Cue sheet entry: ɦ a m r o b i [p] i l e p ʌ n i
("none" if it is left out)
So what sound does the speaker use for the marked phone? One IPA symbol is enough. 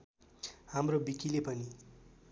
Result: k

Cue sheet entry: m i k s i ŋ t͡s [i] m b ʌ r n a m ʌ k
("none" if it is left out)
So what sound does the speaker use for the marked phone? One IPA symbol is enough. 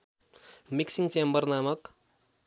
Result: e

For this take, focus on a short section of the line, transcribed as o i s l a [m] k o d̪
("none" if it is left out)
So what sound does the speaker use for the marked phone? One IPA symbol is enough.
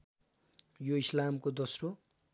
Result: m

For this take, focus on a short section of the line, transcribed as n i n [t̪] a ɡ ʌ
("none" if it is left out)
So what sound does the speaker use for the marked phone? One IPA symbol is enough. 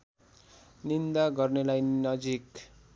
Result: d̪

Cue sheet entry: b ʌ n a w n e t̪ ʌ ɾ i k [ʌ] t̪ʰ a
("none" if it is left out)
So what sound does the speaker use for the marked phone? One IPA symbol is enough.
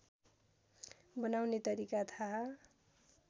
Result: a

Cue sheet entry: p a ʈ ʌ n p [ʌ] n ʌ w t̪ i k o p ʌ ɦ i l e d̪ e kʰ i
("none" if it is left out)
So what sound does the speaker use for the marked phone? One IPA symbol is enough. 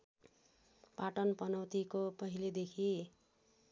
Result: ʌ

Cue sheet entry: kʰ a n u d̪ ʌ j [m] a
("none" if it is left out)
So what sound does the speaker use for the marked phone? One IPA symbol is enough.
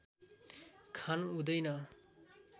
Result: n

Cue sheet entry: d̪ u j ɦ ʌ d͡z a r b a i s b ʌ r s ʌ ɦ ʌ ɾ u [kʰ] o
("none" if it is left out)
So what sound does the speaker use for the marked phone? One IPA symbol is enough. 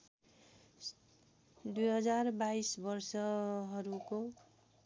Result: k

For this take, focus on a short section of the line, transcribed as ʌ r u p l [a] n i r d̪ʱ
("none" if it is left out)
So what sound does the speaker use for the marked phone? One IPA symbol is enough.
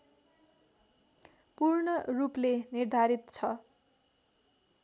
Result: e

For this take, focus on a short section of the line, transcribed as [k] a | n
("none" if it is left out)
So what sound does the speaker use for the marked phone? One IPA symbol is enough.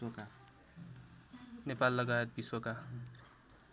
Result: k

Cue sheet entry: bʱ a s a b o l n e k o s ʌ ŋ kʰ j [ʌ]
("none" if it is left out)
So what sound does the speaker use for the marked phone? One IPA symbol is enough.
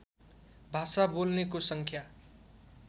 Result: a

